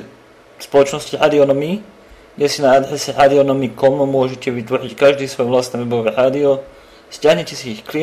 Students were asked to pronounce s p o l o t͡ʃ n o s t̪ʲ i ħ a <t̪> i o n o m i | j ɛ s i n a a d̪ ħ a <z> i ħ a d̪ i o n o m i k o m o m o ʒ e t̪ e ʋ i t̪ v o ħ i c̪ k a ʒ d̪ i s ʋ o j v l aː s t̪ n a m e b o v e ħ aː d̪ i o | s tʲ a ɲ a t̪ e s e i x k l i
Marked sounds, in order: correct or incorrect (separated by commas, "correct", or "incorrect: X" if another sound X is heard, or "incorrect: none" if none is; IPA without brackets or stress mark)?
incorrect: d̪, incorrect: s